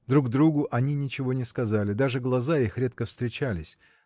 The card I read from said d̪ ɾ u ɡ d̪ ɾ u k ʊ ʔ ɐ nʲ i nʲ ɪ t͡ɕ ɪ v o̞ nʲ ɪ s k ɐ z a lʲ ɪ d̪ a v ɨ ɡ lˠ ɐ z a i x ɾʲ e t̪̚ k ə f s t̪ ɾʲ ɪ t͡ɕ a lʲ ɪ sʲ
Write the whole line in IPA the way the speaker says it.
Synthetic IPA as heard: d̪ ɾ u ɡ d̪ ɾ u ɡ ʊ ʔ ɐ nʲ i nʲ ɪ t͡ɕ ɪ v o̞ nʲ ɪ s k ɐ z a lʲ ɪ d̪ a ʐ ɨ ɡ lˠ ɐ z a i x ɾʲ e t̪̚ k ə f s t̪ ɾʲ ɪ t͡ɕ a lʲ ɪ sʲ